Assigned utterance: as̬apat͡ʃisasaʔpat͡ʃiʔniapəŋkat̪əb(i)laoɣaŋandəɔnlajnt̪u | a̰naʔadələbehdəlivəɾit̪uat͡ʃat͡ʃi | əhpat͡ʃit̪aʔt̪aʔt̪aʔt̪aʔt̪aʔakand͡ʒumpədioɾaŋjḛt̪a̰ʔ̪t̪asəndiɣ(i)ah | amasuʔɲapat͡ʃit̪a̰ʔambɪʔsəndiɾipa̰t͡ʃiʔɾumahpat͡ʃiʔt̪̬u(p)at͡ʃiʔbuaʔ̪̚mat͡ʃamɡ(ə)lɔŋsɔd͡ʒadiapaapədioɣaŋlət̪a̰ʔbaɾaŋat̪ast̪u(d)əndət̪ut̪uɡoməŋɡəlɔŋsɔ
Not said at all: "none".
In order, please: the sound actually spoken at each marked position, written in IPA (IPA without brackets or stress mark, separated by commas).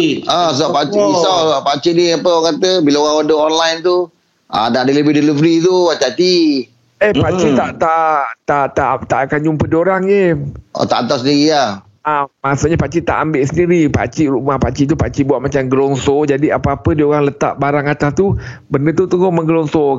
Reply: i, i, p, ə, b